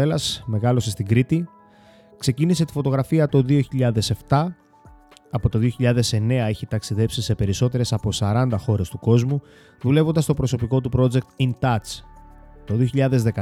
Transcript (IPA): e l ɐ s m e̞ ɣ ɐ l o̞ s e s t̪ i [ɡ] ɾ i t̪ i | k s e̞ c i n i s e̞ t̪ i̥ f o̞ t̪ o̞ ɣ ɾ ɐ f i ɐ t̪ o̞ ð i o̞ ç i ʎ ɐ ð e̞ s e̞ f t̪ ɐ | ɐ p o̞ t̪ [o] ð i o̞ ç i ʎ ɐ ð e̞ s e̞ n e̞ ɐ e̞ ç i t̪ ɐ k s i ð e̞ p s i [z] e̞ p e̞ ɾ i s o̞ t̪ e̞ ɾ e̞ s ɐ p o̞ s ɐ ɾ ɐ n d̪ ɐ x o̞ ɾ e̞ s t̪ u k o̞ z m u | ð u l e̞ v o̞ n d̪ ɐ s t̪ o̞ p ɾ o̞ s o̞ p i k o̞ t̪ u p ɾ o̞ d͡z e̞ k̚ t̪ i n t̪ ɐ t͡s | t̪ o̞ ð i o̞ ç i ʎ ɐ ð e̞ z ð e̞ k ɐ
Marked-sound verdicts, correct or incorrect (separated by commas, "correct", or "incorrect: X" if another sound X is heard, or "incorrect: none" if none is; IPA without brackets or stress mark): correct, correct, incorrect: s